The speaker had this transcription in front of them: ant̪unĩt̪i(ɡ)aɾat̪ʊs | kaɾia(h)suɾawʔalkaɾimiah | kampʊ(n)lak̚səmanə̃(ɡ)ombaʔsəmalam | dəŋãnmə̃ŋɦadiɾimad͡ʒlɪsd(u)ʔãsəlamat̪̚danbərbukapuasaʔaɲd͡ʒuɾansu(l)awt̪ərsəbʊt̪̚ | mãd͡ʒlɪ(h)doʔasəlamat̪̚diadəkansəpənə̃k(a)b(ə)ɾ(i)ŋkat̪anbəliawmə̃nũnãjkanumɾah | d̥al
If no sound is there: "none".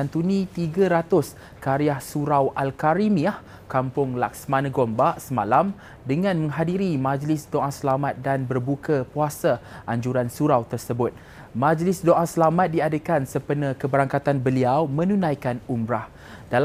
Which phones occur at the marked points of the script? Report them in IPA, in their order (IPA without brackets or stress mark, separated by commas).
ɡ, h, ŋ, ɡ, o, ɾ, s, ə, ə, a